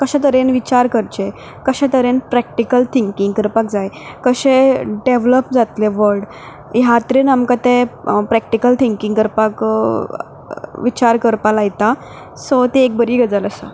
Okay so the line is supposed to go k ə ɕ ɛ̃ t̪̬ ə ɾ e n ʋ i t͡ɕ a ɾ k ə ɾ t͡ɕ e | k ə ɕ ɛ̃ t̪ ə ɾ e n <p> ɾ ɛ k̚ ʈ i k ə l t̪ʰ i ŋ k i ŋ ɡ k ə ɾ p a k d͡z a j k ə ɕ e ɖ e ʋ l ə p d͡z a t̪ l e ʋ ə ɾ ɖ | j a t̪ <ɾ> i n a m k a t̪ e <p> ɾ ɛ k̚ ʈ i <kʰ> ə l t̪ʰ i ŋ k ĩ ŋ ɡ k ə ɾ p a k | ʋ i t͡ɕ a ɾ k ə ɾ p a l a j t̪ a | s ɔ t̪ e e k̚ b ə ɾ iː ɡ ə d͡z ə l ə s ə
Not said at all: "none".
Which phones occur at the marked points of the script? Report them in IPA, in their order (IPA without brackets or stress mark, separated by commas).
p, ɾ, p, k